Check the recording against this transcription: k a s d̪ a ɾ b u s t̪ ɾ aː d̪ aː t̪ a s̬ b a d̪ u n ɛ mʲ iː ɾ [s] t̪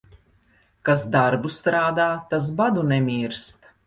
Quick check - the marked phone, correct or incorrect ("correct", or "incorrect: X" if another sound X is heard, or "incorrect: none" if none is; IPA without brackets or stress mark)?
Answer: correct